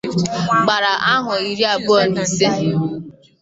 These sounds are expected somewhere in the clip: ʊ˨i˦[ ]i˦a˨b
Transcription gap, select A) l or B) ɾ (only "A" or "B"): B